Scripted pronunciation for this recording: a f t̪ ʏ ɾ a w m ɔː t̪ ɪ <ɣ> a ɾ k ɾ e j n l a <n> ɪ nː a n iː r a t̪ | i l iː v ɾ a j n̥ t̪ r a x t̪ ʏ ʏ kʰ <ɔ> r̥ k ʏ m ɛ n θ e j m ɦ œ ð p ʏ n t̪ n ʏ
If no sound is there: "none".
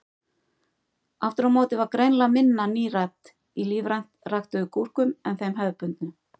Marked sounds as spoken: v, m, u

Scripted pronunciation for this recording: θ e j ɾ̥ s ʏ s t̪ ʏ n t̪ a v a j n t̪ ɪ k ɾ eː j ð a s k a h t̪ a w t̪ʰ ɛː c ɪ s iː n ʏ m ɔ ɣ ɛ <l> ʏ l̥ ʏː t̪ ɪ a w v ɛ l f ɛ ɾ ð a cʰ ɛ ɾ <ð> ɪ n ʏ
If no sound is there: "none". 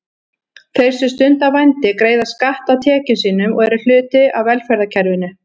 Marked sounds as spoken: ɾ, v

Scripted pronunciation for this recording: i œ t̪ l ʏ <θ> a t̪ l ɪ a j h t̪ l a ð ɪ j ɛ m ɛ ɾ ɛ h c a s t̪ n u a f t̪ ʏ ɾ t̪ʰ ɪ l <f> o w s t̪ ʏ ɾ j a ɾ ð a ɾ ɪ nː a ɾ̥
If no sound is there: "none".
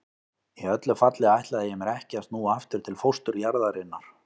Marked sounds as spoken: f, f

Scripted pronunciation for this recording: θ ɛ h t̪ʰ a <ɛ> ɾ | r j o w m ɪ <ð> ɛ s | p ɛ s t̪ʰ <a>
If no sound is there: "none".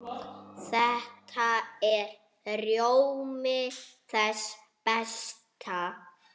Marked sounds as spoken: ɛ, θ, a

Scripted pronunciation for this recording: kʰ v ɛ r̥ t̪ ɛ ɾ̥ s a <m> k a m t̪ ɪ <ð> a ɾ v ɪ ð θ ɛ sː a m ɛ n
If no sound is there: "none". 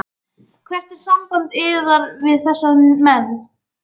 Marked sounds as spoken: m, ð

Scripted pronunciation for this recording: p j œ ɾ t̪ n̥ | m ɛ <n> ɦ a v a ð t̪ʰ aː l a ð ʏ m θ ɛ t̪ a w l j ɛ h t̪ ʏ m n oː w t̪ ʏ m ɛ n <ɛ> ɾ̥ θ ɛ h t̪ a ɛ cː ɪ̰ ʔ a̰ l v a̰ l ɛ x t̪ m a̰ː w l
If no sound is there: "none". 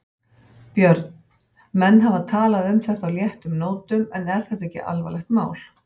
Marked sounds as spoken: nː, ɛ

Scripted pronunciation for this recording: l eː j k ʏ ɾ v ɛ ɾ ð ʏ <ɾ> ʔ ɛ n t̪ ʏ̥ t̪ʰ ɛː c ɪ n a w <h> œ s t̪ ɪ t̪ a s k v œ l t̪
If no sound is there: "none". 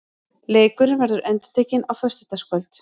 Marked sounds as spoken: ɾ, f

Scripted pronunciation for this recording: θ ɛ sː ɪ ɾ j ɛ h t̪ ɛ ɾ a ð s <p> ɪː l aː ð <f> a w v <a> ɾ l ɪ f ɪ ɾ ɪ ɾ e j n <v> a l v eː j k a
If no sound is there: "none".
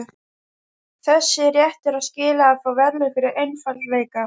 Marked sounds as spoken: c, f, ɛ, f

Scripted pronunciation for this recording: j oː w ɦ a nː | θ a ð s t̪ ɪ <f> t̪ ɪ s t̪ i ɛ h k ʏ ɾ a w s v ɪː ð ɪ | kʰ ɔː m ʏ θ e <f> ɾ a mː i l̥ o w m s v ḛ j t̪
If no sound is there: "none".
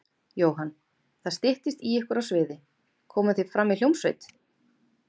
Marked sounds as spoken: h, f

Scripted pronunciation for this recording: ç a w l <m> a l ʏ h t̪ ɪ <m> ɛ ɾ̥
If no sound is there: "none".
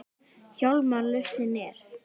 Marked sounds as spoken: m, n

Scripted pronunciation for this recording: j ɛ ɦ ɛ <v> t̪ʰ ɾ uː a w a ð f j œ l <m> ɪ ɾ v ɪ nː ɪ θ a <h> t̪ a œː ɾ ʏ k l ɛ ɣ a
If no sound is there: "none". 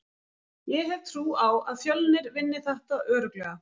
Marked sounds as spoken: v, n, h

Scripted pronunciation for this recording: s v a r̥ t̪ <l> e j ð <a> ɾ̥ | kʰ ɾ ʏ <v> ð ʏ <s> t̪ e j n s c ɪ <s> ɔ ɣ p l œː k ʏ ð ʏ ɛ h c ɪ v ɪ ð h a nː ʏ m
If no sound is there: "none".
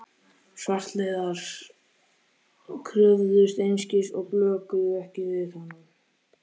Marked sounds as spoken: l, a, v, s, s

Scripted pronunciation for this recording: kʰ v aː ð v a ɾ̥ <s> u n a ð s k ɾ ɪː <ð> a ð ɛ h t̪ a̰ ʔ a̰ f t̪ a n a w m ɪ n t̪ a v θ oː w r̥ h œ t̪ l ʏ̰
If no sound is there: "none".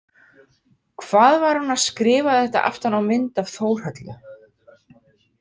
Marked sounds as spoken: h, v

